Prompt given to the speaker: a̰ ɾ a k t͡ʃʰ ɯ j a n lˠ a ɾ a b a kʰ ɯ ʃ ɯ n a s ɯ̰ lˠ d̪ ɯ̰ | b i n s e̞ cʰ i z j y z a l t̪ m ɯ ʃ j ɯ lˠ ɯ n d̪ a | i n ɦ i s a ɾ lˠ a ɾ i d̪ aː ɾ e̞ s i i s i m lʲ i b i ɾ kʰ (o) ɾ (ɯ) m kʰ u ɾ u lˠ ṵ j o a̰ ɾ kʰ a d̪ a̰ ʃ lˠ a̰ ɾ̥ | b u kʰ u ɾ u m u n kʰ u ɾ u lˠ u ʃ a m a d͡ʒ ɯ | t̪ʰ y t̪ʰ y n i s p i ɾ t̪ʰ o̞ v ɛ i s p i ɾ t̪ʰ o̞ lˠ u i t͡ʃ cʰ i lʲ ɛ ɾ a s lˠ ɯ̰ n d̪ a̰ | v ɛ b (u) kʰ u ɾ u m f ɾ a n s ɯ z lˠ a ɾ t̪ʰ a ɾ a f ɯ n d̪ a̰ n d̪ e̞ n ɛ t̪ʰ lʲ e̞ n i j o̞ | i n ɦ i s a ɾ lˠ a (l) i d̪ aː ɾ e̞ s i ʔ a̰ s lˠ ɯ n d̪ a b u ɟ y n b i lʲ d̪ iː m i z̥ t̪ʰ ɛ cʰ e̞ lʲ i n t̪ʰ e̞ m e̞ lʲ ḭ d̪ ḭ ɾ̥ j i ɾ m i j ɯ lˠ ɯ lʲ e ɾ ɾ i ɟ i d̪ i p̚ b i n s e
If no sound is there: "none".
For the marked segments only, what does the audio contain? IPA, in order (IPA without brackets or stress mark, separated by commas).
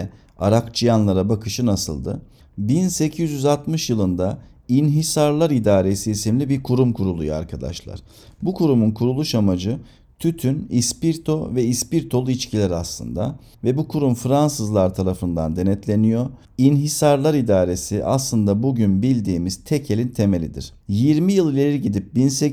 u, u, u, ɾ